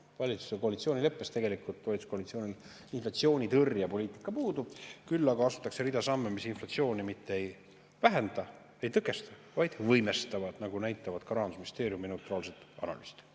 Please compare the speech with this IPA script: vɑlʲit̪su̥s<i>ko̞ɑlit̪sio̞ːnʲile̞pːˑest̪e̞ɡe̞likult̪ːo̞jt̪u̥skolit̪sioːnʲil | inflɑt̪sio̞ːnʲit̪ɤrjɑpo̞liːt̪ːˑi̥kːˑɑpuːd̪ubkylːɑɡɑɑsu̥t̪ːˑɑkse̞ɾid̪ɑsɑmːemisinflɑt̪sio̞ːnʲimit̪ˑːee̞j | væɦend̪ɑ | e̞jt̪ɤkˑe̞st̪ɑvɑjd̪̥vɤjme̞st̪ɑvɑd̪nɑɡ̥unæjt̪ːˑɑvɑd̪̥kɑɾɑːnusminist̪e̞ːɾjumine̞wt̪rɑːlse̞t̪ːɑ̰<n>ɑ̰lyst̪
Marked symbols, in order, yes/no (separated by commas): no, yes